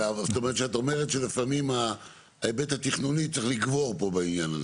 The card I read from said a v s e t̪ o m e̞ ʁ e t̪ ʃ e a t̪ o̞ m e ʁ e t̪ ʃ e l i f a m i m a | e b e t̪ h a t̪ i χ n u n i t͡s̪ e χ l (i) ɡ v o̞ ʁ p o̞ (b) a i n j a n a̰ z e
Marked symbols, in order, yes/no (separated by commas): yes, yes